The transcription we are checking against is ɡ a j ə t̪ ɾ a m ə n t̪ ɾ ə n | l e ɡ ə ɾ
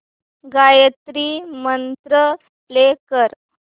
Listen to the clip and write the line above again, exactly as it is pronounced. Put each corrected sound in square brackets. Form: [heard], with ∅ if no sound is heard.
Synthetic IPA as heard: ɡ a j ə t̪ ɾ [i] m ə n t̪ ɾ ə [∅] | l e [k] ə ɾ